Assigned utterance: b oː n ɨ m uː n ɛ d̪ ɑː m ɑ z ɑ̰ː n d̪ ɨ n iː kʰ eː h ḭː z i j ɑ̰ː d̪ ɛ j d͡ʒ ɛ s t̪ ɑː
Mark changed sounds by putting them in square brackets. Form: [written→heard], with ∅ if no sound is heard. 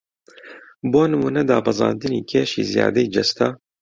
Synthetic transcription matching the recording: b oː n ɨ m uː n ɛ d̪ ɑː [m→b] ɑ z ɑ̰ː n d̪ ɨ n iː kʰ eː [h→ʃ] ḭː z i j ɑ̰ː d̪ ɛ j d͡ʒ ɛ s t̪ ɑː

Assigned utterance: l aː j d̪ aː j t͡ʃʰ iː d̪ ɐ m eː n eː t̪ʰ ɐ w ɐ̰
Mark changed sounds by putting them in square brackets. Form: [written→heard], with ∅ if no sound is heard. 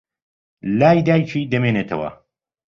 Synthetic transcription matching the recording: l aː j d̪ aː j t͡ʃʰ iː d̪ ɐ m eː n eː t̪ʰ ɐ w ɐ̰

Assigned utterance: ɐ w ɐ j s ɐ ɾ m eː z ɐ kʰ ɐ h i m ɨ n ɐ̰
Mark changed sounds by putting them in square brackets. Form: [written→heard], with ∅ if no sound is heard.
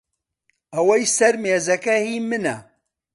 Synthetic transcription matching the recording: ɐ w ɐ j s ɐ ɾ m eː z ɐ [kʰ→k] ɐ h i m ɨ n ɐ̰

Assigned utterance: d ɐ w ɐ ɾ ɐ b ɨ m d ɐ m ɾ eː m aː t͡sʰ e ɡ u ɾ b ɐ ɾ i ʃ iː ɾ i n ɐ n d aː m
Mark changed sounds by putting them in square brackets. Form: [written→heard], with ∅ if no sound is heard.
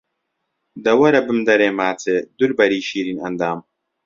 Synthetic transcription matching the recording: d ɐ w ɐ ɾ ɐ b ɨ m d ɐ [m→∅] ɾ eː m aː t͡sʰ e [ɡ→d] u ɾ b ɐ ɾ i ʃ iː ɾ i n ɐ n d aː m

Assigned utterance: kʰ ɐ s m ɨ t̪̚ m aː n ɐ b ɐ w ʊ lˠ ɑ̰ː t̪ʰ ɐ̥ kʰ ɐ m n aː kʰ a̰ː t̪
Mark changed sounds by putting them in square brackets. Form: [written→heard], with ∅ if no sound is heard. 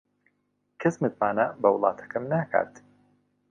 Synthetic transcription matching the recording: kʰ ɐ s m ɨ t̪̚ m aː n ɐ b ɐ w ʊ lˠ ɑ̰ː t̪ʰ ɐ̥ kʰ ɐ m n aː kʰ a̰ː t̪

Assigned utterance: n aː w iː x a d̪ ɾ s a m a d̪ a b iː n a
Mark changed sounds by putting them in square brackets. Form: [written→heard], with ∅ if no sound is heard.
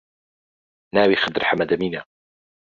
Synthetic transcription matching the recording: n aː w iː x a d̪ ɾ [s→ħ] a m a d̪ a [b→m] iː n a

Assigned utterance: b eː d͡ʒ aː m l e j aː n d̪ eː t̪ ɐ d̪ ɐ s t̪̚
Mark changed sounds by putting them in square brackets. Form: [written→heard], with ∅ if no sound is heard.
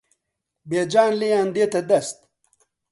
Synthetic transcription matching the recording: b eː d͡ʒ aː [m→n] l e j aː n d̪ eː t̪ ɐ d̪ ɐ s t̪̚

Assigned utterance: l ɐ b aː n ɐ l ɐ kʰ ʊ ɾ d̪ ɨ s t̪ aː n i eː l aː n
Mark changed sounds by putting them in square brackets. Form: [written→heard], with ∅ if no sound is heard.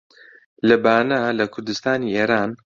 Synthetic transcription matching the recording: l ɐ b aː n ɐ l ɐ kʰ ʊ ɾ d̪ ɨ s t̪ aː n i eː [l→ɾ] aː n

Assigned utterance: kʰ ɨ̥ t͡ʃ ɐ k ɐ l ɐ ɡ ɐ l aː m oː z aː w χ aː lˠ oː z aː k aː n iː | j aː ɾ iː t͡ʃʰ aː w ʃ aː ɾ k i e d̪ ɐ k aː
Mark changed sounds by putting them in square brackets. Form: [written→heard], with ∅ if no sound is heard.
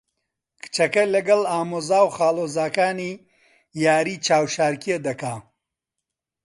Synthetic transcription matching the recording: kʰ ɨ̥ t͡ʃ ɐ k ɐ l ɐ ɡ ɐ l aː m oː z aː w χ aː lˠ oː z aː k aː n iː | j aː ɾ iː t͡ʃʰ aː w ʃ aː ɾ k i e d̪ ɐ k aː

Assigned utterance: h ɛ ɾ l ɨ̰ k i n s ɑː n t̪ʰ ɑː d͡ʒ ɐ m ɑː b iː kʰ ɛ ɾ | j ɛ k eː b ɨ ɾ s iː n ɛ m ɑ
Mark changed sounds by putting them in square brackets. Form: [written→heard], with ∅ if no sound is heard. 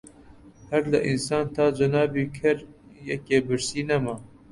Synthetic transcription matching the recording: h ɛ ɾ l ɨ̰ [k→ʔ] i n s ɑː n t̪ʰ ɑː d͡ʒ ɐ [m→n] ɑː b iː kʰ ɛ ɾ | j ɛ k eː b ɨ ɾ s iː n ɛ m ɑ

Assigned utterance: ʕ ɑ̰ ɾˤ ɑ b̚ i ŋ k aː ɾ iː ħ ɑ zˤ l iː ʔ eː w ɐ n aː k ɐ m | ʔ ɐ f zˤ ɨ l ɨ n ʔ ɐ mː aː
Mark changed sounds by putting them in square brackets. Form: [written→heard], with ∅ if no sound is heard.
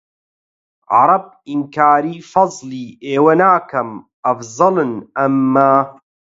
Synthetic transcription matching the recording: ʕ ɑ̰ ɾˤ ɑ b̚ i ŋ k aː ɾ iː [ħ→f] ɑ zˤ l iː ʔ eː w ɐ n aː k ɐ m | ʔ ɐ f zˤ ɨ l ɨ n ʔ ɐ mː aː

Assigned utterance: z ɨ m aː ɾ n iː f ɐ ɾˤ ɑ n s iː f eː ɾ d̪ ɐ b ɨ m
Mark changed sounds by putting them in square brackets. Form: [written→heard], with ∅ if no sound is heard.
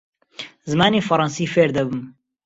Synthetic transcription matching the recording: z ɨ m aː [ɾ→∅] n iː f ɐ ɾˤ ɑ n s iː f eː ɾ d̪ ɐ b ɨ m

